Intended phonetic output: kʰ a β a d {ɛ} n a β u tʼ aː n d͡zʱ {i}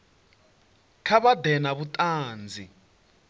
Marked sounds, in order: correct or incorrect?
correct, correct

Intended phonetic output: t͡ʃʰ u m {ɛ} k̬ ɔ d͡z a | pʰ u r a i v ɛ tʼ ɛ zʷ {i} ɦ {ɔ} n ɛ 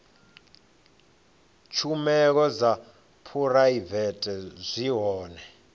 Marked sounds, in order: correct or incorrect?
correct, correct, incorrect: ɔː

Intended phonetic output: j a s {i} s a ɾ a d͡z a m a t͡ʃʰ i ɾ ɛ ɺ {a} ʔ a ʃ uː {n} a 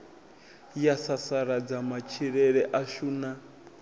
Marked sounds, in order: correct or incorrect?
incorrect: a, incorrect: ɛ, correct

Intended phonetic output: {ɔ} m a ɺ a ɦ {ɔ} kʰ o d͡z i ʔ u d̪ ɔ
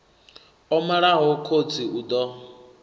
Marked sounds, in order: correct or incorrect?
correct, correct

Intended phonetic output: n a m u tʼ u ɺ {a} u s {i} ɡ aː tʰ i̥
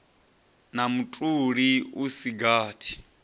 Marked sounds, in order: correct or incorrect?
incorrect: i, correct

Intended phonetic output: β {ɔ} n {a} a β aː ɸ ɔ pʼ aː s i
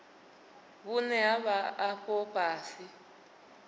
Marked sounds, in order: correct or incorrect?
incorrect: u, incorrect: ɛ

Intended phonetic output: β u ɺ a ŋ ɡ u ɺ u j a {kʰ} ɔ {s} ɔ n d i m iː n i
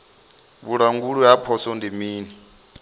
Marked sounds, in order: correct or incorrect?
incorrect: pʰ, correct

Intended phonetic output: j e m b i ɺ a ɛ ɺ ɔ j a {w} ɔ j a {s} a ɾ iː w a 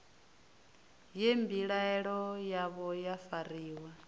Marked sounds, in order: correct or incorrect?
incorrect: β, incorrect: f

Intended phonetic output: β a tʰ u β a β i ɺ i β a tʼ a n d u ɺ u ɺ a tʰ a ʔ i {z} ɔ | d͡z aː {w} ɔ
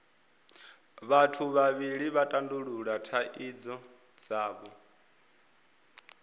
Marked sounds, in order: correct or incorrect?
incorrect: d͡z, incorrect: β

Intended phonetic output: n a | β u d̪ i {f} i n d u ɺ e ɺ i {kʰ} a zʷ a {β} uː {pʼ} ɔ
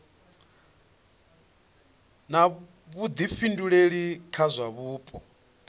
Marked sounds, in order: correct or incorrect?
correct, correct, correct, correct

